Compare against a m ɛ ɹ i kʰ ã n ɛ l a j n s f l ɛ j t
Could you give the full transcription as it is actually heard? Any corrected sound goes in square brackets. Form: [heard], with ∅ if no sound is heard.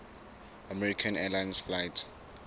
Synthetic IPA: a m ɛ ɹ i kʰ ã n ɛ l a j n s f l [a] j t

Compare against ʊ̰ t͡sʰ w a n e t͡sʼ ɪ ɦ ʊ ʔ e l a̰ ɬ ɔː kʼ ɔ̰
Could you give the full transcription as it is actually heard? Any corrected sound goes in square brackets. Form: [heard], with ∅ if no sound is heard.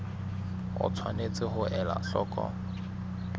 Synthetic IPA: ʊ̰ t͡sʰ w a n e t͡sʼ ɪ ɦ ʊ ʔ [ɛ] l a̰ ɬ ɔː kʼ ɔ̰

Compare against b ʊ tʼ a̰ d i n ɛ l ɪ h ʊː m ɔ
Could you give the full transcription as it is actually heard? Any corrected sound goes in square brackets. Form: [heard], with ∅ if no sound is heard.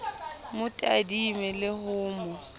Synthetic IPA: [m] ʊ tʼ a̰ d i [m] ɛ l ɪ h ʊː m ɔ

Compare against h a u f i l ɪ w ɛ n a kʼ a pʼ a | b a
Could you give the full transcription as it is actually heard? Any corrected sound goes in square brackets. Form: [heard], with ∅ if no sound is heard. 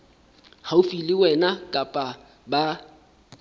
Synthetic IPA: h a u f i l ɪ w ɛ n a kʼ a pʼ a | b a

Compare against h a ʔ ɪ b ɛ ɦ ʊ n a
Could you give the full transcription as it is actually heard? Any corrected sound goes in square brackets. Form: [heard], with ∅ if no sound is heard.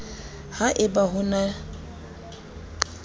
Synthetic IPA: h a ʔ ɪ b [a] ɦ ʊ n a

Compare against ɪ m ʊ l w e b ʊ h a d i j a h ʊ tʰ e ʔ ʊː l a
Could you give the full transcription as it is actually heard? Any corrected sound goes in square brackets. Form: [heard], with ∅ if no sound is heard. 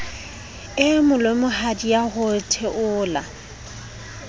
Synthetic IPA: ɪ m ʊ l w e [m] ʊ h a d i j a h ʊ tʰ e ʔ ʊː l a

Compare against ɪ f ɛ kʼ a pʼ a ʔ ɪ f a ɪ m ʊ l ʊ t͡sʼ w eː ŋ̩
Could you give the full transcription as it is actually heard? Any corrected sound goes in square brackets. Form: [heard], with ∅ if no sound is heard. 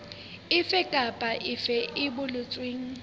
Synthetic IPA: ɪ f ɛ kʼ a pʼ a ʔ ɪ f [ɛ] ɪ [b] ʊ l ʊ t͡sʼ w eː ŋ̩

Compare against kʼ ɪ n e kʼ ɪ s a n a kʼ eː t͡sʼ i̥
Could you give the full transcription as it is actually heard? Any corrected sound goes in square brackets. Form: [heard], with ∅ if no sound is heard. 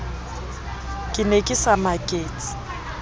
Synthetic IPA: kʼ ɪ n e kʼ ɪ s a [m] a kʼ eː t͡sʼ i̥

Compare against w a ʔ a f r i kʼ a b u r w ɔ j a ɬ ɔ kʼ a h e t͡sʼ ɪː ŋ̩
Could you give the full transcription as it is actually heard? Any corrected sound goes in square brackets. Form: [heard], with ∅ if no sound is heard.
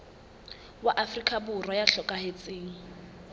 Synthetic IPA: w a ʔ a f r i kʼ a b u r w ɔ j a ɬ ɔ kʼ a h e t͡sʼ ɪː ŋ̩

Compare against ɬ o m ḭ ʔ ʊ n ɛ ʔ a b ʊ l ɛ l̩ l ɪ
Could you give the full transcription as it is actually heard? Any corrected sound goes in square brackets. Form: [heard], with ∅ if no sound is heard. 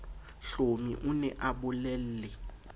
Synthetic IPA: ɬ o m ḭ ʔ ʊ n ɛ ʔ a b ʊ l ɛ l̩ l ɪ

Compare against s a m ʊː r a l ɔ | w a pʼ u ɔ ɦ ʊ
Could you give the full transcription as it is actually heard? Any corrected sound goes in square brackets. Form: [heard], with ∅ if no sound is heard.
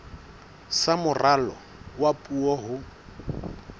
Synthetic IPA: s a m [ʊ] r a l ɔ | w a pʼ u ɔ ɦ ʊ

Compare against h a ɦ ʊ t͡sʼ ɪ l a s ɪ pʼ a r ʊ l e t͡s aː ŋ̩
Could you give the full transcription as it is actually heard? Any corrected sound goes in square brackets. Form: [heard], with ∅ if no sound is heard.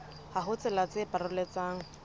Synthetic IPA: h a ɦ ʊ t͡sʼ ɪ l a [t͡s] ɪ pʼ a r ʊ l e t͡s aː ŋ̩

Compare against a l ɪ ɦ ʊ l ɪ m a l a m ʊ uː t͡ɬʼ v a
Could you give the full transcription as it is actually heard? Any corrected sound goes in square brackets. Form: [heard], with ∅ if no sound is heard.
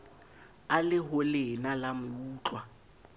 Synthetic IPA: a l ɪ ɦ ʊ l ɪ [n] a l a m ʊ uː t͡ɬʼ [w] a

